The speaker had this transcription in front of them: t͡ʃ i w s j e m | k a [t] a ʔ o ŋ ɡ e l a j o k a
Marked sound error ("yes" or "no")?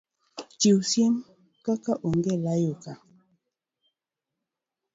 yes